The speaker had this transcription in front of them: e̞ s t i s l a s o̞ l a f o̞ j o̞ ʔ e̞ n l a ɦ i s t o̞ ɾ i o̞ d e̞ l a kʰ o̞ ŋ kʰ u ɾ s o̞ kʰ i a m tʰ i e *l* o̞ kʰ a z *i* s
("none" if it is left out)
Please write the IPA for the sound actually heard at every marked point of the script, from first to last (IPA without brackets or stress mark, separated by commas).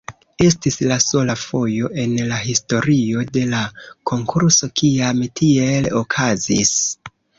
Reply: l, i